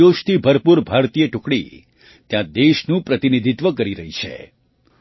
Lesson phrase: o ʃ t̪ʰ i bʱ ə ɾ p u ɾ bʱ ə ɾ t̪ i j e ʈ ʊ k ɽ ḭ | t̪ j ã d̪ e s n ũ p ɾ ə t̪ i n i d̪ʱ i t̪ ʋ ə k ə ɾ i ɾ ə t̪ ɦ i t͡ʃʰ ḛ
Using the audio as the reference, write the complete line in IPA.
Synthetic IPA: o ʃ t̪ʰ i bʱ ə ɾ p u ɾ bʱ a ɾ t̪ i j e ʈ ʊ k ɽ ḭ | t̪ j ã d̪ e ʃ n ũ p ɾ ə t̪ i n i d̪ʱ i t̪ ʋ ə k ə ɾ i ɾ ə ɦ i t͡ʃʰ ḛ